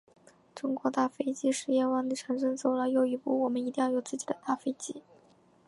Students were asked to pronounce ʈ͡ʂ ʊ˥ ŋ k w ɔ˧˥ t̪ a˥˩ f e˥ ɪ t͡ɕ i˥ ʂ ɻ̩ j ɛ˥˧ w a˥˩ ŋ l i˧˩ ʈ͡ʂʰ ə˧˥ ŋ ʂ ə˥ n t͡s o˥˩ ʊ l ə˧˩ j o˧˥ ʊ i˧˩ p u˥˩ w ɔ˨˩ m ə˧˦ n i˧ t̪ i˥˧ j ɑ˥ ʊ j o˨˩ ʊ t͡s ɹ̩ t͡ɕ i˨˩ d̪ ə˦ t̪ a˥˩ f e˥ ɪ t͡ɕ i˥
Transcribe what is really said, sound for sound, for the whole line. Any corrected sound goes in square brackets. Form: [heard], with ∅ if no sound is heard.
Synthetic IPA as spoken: ʈ͡ʂ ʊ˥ ŋ k w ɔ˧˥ t̪ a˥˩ f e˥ ɪ t͡ɕ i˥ ʂ ɻ̩ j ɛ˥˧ w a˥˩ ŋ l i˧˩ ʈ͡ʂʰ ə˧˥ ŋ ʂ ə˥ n t͡s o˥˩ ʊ l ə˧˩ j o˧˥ ʊ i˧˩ p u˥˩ w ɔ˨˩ m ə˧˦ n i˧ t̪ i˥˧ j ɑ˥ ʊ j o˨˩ ʊ t͡s ɹ̩ t͡ɕ i˨˩ d̪ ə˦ t̪ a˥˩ f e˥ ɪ t͡ɕ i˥